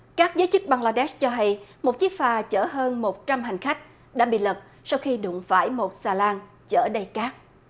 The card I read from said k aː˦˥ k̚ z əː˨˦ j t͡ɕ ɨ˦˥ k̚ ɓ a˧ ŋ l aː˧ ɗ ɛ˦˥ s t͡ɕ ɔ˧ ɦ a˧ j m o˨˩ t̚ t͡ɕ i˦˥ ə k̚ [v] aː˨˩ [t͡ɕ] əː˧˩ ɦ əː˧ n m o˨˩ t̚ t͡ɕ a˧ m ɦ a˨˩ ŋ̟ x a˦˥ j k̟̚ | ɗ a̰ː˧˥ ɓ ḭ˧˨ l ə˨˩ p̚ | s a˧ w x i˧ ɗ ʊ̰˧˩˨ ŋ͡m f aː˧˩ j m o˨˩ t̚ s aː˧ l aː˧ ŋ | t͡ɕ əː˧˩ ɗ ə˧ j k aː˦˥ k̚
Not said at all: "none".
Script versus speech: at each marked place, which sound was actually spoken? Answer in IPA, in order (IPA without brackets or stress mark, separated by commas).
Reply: f, t͡ɕ